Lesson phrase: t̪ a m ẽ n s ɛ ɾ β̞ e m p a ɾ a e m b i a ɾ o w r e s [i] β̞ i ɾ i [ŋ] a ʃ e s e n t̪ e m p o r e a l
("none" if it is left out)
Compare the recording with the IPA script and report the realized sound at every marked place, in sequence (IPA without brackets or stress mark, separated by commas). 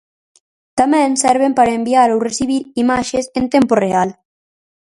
i, m